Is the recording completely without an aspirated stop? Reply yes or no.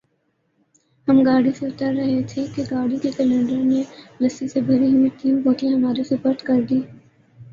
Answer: no